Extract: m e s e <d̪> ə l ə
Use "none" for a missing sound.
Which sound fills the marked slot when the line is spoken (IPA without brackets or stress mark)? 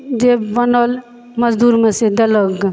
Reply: d̪